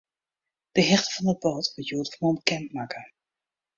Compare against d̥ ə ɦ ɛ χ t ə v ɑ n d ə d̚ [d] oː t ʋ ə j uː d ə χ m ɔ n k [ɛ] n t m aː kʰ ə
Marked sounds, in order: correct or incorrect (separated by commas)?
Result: incorrect, correct